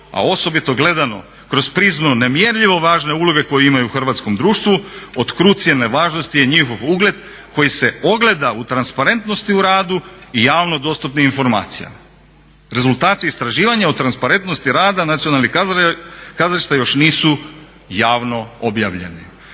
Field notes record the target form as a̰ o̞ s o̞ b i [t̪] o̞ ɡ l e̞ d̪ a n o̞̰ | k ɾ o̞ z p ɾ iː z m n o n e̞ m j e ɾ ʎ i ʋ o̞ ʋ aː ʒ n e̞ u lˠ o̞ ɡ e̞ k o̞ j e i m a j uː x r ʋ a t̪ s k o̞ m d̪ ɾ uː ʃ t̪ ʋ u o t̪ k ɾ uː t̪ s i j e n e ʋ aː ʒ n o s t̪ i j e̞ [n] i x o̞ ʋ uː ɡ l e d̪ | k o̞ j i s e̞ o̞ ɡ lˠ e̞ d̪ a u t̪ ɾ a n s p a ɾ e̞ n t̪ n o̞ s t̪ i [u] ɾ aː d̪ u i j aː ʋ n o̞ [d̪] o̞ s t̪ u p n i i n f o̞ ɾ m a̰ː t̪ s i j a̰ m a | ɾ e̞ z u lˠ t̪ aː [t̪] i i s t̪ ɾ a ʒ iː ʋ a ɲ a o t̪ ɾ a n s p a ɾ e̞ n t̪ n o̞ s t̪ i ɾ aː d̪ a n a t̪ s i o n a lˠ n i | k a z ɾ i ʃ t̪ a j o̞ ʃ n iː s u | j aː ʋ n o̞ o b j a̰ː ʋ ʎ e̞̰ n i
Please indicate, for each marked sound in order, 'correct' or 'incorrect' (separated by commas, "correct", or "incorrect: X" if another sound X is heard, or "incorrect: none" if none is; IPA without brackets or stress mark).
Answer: correct, incorrect: ɲ, correct, correct, correct